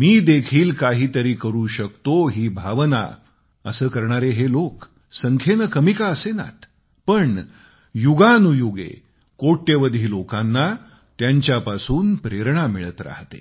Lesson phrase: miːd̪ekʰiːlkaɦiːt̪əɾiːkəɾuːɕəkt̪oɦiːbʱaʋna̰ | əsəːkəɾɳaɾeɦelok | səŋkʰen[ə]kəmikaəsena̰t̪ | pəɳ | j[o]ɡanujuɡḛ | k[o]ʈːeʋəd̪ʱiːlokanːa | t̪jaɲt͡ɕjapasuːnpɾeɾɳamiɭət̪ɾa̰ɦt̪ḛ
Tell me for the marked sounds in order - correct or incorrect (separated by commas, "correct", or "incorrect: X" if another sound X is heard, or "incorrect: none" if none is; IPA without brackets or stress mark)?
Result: correct, incorrect: u, correct